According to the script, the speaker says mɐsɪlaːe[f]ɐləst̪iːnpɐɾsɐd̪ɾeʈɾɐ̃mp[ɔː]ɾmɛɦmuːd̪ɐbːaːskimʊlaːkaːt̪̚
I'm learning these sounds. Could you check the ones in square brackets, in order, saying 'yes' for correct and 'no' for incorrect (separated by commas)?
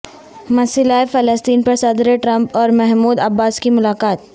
yes, yes